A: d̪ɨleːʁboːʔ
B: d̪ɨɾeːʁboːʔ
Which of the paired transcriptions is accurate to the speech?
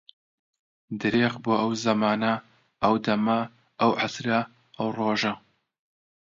B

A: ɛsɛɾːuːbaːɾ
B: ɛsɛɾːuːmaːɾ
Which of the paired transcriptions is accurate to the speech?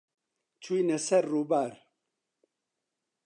A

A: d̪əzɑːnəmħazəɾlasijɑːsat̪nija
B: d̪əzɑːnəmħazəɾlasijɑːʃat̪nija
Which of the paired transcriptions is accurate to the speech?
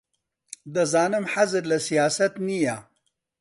A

